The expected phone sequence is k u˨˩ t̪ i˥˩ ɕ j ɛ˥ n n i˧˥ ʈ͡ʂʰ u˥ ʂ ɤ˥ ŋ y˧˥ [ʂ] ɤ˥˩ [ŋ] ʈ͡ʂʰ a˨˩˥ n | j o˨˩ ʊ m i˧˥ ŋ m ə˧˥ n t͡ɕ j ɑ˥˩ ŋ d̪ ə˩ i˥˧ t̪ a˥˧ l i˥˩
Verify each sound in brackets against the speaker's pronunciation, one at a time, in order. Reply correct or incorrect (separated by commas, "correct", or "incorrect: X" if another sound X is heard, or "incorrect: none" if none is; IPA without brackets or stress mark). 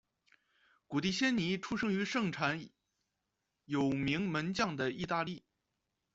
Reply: correct, correct